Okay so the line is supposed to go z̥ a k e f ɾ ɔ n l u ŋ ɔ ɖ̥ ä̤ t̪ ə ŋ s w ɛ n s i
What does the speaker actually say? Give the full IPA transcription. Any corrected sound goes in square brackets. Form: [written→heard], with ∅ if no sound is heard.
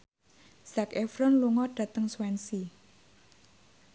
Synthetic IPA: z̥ a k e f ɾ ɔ n l u ŋ ɔ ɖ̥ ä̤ t̪ ə ŋ s w ɛ n s i